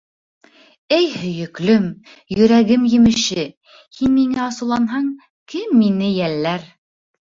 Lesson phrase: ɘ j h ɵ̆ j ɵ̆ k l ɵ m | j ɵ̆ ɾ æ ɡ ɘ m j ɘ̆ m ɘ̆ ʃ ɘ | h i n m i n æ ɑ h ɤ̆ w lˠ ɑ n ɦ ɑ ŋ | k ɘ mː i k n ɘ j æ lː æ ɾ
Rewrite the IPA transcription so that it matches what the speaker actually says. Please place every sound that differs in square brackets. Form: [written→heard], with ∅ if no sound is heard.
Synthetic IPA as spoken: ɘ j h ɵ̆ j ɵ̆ k l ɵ m | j ɵ̆ ɾ æ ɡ ɘ m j ɘ̆ m ɘ̆ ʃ ɘ | h i n m i [n→ŋ] æ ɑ [h→s] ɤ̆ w lˠ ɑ n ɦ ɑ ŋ | k ɘ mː i [k→∅] n ɘ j æ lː æ ɾ

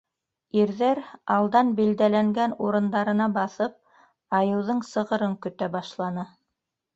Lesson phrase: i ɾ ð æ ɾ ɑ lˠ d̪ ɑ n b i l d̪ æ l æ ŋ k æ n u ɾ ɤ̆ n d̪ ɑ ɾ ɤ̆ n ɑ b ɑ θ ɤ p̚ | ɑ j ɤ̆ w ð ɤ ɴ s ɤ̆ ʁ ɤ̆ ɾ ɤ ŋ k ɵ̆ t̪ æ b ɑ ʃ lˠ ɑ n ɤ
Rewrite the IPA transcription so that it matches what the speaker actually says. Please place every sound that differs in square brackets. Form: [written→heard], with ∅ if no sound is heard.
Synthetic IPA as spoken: i ɾ ð æ ɾ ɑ lˠ d̪ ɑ n b i l d̪ æ l æ ŋ [k→ɡ] æ n u ɾ ɤ̆ n d̪ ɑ ɾ ɤ̆ n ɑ b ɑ θ ɤ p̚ | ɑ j ɤ̆ w ð ɤ ɴ s ɤ̆ ʁ ɤ̆ ɾ ɤ ŋ k ɵ̆ t̪ æ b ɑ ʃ lˠ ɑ n ɤ

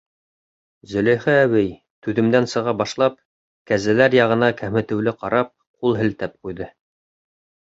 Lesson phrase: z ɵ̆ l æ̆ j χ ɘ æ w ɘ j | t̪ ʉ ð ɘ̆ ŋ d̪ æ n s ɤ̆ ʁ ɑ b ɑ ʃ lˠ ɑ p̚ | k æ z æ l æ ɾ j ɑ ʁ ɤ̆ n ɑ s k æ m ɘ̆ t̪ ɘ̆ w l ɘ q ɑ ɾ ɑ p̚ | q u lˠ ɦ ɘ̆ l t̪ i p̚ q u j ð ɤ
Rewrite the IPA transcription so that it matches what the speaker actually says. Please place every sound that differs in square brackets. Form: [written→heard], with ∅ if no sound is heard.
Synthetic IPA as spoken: z ɵ̆ l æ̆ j χ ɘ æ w ɘ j | t̪ ʉ ð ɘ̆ [ŋ→m] d̪ æ n s ɤ̆ ʁ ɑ b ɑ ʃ lˠ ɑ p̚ | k æ z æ l æ ɾ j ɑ ʁ ɤ̆ n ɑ [s→∅] k æ m ɘ̆ t̪ ɘ̆ w l ɘ q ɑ ɾ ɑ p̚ | q u lˠ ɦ ɘ̆ l t̪ [i→æ] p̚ q u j ð ɤ

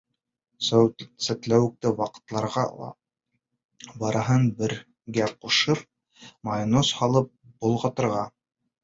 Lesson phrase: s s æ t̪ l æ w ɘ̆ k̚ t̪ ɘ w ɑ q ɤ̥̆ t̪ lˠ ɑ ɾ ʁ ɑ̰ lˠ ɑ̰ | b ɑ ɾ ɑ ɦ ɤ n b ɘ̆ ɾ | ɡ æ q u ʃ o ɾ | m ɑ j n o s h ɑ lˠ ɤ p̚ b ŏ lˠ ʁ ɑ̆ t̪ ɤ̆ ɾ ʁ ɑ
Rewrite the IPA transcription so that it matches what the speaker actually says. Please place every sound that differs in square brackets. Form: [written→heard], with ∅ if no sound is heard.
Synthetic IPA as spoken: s s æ t̪ l æ w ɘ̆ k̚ t̪ ɘ w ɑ q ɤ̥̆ t̪ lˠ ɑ ɾ ʁ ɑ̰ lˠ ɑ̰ | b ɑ ɾ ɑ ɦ ɤ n b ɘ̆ ɾ | ɡ æ q u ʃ [o→ɤ] ɾ | m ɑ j n o s h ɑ lˠ ɤ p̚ b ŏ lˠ ʁ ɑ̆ t̪ ɤ̆ ɾ ʁ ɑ

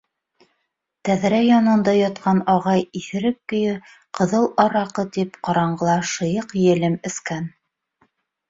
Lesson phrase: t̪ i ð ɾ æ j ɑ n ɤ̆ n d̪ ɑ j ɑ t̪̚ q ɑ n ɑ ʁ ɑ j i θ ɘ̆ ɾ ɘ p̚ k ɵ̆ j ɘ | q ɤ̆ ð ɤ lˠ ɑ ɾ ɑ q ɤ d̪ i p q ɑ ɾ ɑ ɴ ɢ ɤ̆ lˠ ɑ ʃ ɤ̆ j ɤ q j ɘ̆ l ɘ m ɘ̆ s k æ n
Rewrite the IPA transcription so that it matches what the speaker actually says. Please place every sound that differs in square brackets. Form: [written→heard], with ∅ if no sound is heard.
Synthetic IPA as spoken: t̪ [i→æ] ð ɾ æ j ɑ n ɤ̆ n d̪ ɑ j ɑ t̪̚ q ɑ n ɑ ʁ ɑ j i θ ɘ̆ ɾ ɘ p̚ k ɵ̆ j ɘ | q ɤ̆ ð ɤ lˠ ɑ ɾ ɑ q ɤ [d̪→t̪] i p q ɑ ɾ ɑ ɴ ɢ ɤ̆ lˠ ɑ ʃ ɤ̆ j ɤ q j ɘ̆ l ɘ m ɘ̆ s k æ n

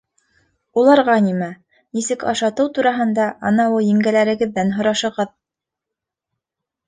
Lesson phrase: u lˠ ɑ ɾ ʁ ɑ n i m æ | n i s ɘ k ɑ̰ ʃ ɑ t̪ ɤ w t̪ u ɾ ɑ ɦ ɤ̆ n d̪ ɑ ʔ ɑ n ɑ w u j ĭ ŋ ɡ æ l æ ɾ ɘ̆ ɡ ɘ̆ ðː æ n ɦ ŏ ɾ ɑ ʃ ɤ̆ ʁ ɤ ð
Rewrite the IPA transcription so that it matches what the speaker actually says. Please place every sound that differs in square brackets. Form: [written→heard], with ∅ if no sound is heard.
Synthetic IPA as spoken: u lˠ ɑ ɾ ʁ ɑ n i m æ | n i s ɘ k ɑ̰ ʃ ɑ t̪ ɤ w t̪ u ɾ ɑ ɦ ɤ̆ n d̪ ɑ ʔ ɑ n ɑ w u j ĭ ŋ ɡ æ l æ ɾ ɘ̆ ɡ ɘ̆ ðː æ n ɦ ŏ ɾ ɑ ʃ ɤ̆ ʁ ɤ ð

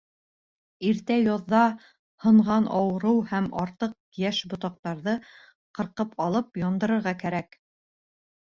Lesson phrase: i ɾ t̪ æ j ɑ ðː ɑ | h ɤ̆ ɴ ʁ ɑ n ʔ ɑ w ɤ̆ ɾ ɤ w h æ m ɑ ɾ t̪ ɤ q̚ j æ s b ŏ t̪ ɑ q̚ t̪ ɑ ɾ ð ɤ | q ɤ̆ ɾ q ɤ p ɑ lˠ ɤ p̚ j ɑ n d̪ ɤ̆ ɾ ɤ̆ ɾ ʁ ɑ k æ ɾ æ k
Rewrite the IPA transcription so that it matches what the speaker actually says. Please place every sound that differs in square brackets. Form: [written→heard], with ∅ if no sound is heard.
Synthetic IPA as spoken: i ɾ t̪ æ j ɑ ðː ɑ | h ɤ̆ ɴ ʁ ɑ n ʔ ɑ w ɤ̆ ɾ ɤ w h æ m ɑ ɾ t̪ ɤ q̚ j æ [s→ʃ] b ŏ t̪ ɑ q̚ t̪ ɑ ɾ ð ɤ | q ɤ̆ ɾ q ɤ p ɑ lˠ ɤ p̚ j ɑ n d̪ ɤ̆ ɾ ɤ̆ ɾ ʁ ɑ k æ ɾ æ k

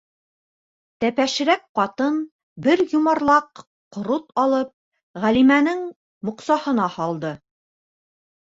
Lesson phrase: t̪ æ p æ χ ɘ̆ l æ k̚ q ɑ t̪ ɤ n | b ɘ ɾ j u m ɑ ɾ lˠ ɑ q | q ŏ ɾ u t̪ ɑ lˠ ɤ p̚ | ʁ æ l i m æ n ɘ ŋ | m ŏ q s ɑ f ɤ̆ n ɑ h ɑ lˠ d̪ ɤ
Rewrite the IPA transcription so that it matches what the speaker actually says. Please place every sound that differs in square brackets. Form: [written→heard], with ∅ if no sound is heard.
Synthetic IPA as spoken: t̪ æ p æ [χ→ʃ] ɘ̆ [l→ɾ] æ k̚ q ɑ t̪ ɤ n | b ɘ ɾ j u m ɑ ɾ lˠ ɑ q | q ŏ ɾ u t̪ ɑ lˠ ɤ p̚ | ʁ æ l i m æ n ɘ ŋ | m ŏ q s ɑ [f→h] ɤ̆ n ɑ h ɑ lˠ d̪ ɤ

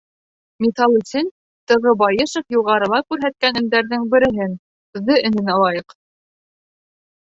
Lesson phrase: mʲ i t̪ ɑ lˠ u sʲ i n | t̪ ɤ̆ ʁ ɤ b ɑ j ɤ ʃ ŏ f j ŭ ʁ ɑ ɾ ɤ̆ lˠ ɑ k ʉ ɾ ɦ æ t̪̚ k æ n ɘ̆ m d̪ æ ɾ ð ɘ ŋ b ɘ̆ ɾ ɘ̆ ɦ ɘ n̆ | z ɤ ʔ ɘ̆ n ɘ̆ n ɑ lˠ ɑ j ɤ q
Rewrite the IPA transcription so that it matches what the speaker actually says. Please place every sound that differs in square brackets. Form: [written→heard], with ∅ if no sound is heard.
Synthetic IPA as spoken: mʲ i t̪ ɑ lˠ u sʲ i n | t̪ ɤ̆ ʁ ɤ b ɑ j ɤ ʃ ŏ f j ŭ ʁ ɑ ɾ ɤ̆ lˠ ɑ k ʉ ɾ ɦ æ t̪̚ k æ n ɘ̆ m d̪ æ ɾ ð ɘ ŋ b ɘ̆ ɾ ɘ̆ ɦ ɘ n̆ | [z→ð] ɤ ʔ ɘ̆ n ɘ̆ n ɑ lˠ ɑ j ɤ q

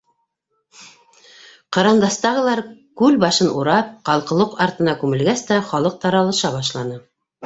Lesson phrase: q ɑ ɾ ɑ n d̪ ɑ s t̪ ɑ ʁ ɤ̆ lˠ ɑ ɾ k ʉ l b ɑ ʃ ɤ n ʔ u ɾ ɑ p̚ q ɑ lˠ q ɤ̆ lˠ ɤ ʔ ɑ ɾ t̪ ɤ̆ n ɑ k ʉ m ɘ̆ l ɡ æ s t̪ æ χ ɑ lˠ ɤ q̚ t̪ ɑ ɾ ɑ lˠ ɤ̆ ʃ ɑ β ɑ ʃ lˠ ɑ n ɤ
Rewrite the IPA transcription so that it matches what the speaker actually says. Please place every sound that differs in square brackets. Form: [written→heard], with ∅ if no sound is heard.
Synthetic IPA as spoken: q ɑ ɾ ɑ n d̪ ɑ s t̪ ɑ ʁ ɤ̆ lˠ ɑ ɾ k ʉ l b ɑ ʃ ɤ n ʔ u ɾ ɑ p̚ q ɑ lˠ q ɤ̆ lˠ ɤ [ʔ→q] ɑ ɾ t̪ ɤ̆ n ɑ k ʉ m ɘ̆ l ɡ æ s t̪ æ χ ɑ lˠ ɤ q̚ t̪ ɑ ɾ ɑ lˠ ɤ̆ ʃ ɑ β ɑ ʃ lˠ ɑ n ɤ

